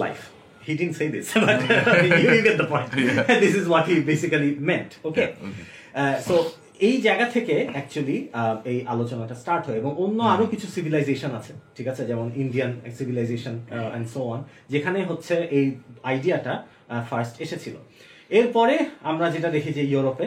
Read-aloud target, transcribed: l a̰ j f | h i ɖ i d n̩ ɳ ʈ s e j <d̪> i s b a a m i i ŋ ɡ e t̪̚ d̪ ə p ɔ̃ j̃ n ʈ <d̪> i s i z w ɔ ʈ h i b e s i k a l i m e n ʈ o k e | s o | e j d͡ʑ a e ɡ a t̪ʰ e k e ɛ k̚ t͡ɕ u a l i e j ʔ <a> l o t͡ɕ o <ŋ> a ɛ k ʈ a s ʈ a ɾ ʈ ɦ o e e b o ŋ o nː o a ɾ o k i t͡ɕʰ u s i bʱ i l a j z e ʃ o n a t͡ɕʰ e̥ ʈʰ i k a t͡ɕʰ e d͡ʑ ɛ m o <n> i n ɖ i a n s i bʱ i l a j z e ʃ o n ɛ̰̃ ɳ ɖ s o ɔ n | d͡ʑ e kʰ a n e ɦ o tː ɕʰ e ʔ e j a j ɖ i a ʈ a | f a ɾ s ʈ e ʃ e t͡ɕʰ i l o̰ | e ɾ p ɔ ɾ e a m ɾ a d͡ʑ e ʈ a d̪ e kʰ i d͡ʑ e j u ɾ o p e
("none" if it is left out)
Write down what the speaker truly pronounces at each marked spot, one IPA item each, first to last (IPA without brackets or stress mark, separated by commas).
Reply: d̪, d̪, a, n, n